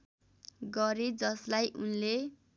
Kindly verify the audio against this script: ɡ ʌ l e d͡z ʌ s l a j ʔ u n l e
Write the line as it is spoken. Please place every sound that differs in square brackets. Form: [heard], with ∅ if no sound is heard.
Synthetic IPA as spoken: ɡ ʌ [ɾ] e d͡z ʌ s l a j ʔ u n l e